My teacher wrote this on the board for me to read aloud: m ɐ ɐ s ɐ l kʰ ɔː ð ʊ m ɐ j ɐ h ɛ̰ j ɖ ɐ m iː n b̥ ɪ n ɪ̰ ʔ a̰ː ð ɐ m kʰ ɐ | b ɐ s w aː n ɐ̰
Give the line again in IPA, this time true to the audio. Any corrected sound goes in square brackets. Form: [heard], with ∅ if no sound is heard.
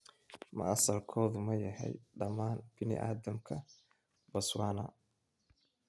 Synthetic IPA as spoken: m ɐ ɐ s ɐ l kʰ ɔː ð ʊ m ɐ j ɐ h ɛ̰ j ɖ ɐ m [aː] n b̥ ɪ n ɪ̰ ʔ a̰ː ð ɐ m kʰ ɐ | b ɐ s w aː n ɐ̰